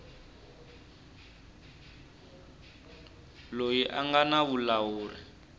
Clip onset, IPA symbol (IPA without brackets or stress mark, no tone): l